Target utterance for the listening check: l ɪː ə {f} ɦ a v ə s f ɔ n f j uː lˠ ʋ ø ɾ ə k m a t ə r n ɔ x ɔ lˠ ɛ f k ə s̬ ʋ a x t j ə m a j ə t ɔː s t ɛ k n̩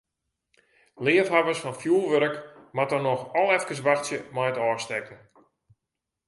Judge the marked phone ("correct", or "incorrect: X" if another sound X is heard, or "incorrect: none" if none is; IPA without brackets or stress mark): correct